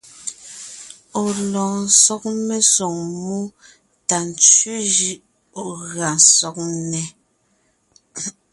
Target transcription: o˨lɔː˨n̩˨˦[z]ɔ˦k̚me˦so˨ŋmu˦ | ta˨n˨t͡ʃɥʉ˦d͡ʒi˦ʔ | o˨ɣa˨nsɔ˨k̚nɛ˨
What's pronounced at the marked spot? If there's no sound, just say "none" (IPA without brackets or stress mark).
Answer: s